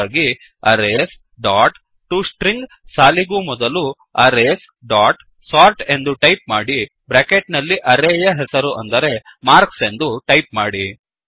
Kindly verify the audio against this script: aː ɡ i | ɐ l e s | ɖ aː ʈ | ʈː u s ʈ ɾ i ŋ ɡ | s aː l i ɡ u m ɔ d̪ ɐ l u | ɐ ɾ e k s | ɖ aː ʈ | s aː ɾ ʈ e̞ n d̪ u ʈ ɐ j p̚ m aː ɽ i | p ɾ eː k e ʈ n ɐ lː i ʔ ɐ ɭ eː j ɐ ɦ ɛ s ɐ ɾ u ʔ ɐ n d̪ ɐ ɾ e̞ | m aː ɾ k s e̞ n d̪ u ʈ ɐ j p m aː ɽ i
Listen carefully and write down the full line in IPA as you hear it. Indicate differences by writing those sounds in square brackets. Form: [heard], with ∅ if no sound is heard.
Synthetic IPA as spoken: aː ɡ i | ɐ [ɾ] e s | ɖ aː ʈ | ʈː u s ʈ ɾ i ŋ ɡ | s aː l i ɡ u m ɔ d̪ ɐ l u | ɐ ɾ e [∅] s | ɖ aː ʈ | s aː ɾ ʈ e̞ n d̪ u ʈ ɐ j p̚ m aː ɽ i | [b] ɾ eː k e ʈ n ɐ lː i ʔ ɐ [ɾ] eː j ɐ ɦ ɛ s ɐ ɾ u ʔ ɐ n d̪ ɐ ɾ e̞ | m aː ɾ k s e̞ n d̪ u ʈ ɐ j p m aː ɽ i